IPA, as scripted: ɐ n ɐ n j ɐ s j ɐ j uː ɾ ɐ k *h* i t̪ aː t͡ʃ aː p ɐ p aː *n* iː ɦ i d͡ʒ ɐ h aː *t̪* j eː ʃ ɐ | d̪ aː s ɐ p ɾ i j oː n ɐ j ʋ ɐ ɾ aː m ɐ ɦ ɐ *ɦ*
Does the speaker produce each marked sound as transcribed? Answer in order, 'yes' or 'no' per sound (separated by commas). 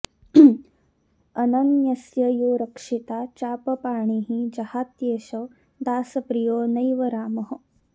no, no, yes, no